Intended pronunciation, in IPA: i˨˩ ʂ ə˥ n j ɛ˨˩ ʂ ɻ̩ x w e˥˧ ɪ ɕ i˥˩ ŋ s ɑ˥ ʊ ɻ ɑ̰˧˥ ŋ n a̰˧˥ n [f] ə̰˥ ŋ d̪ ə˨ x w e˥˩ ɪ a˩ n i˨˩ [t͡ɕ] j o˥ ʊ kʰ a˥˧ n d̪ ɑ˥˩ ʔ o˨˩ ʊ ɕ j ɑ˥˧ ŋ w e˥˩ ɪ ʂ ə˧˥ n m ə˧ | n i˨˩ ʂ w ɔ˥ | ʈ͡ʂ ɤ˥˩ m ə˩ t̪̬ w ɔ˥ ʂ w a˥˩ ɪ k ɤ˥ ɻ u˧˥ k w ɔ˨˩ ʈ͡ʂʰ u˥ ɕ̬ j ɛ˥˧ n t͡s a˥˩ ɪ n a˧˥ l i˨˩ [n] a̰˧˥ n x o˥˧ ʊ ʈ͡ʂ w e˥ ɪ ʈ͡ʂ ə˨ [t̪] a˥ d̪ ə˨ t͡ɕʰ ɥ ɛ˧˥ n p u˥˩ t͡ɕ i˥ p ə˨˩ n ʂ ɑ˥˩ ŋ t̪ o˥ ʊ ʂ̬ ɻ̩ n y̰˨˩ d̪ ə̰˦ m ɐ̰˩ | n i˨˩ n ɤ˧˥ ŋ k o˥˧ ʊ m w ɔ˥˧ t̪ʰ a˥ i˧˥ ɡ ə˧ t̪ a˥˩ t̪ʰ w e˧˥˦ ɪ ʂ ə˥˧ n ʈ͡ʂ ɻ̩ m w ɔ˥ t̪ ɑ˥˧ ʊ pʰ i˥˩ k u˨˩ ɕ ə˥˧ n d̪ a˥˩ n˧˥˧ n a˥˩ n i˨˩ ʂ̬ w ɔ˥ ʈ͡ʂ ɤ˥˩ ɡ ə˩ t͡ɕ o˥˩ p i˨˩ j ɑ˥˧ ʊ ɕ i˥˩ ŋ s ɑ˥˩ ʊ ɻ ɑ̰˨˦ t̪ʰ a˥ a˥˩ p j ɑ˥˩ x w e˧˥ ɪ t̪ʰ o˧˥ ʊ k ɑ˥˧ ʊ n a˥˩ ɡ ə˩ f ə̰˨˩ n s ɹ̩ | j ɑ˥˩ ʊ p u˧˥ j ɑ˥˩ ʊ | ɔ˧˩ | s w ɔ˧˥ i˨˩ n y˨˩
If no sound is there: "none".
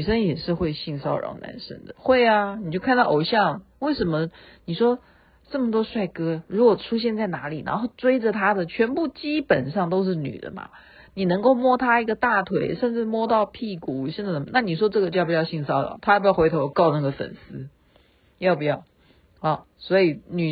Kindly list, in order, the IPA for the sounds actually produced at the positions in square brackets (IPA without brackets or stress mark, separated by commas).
ʂ, t͡ɕ, n, t̪ʰ